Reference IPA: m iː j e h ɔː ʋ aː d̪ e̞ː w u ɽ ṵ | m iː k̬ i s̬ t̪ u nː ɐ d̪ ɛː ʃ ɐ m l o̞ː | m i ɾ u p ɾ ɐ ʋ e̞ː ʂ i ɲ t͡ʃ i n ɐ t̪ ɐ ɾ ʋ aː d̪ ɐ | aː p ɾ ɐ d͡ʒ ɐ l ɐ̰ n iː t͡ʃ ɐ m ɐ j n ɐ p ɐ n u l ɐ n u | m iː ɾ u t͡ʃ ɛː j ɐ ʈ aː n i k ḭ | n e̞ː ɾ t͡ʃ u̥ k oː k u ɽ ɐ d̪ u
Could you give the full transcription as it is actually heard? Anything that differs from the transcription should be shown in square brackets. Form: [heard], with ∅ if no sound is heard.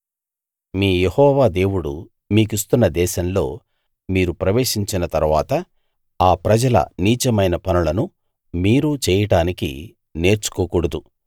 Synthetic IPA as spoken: m iː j e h ɔː ʋ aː d̪ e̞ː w u ɽ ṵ | m iː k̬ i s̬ t̪ u nː ɐ d̪ ɛː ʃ ɐ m l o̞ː | m [iː] ɾ u p ɾ ɐ ʋ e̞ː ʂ i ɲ t͡ʃ i n ɐ t̪ ɐ ɾ ʋ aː [t̪] ɐ | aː p ɾ ɐ d͡ʒ ɐ l ɐ̰ n iː t͡ʃ ɐ m ɐ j n ɐ p ɐ n u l ɐ n u | m iː ɾ u t͡ʃ ɛː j ɐ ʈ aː n i k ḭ | n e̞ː ɾ t͡ʃ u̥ k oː k u ɽ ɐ d̪ u